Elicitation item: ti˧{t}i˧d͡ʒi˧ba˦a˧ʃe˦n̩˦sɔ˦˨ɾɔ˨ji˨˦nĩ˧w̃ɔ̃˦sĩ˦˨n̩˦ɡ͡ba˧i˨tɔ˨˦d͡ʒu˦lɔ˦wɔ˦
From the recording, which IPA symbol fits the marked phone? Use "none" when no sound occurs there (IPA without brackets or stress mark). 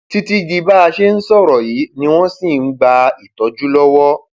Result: t